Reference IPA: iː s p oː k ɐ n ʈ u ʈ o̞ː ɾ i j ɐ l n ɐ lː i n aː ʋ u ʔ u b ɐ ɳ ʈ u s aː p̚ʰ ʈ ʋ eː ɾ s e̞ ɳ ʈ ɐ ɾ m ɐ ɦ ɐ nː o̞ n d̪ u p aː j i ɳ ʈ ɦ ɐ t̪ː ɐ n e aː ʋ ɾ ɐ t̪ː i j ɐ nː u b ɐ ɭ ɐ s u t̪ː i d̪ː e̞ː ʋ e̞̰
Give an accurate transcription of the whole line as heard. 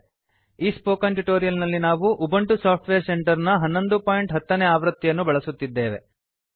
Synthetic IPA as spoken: iː s p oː k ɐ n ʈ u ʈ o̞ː ɾ i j ɐ l n ɐ lː i n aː ʋ u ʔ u b ɐ ɳ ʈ u s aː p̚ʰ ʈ ʋ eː ɾ s e̞ ɳ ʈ ɐ ɾ n ɐ ɦ ɐ nː o̞ n d̪ u p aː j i ɳ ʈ ɦ ɐ t̪ː ɐ n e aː ʋ ɾ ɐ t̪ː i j ɐ nː u b ɐ ɭ ɐ s u t̪ː i d̪ː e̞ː ʋ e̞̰